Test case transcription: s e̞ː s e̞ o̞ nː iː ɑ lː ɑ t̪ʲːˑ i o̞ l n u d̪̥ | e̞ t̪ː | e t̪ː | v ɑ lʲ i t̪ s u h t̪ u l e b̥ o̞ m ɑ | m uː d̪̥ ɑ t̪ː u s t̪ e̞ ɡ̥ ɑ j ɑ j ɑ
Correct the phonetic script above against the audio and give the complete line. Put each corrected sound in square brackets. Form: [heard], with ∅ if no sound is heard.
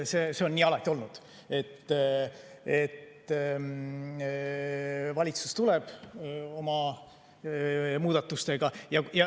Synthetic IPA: s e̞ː s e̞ o̞ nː iː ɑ [l] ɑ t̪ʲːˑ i o̞ l n u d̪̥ | e̞ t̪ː | e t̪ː | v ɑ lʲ i t̪ s u [s] t̪ u l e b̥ o̞ m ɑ | m uː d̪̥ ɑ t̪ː u s t̪ e̞ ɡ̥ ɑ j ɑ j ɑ